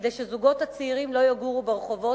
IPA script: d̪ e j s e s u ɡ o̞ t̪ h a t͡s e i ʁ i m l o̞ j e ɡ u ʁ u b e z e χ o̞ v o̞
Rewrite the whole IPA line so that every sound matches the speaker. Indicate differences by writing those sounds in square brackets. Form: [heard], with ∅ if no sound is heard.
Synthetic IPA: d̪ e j [ʃ] e [z] u ɡ o̞ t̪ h a t͡s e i ʁ i m l o̞ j [a] ɡ u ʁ u b e [ʁ] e χ o̞ v o̞